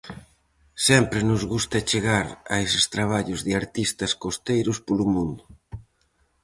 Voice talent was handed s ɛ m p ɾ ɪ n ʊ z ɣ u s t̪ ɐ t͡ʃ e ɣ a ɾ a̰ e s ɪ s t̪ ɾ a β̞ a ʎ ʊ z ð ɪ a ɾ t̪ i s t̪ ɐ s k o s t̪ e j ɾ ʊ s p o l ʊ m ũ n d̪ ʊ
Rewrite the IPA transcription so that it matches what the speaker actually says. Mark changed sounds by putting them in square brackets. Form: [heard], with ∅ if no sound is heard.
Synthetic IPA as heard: s ɛ m p ɾ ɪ n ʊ z ɣ u s t̪ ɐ t͡ʃ e ɣ a ɾ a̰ e s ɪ s t̪ ɾ a β̞ a ʎ ʊ z ð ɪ a ɾ t̪ i s t̪ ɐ s k o s t̪ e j ɾ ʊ s p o l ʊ m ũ n d̪ ʊ